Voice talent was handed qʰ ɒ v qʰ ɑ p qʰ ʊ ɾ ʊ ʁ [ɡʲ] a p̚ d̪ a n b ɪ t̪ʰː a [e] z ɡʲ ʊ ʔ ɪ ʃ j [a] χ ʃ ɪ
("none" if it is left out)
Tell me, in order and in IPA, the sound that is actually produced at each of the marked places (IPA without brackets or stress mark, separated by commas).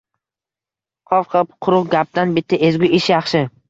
ɡʲ, e, ɑ